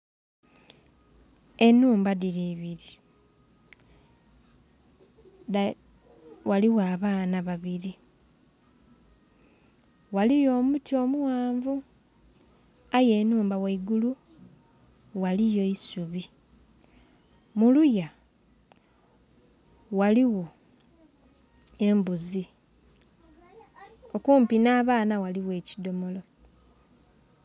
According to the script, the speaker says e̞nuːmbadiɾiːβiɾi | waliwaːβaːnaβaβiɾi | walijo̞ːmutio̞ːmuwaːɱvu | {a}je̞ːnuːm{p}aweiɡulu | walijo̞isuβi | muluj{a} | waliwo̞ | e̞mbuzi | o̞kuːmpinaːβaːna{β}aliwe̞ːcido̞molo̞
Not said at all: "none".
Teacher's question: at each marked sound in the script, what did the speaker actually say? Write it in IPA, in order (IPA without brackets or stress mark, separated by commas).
a, b, a, w